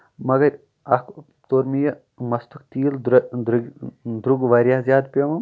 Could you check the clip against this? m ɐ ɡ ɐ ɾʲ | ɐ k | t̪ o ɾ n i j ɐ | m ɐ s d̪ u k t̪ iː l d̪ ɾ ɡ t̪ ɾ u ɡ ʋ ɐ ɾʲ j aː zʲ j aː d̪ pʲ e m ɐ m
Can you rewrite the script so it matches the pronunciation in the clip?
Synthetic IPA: m ɐ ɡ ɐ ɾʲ | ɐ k | t̪ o ɾ m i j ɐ | m ɐ s t̪ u k t̪ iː l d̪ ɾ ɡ d̪ ɾ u ɡ ʋ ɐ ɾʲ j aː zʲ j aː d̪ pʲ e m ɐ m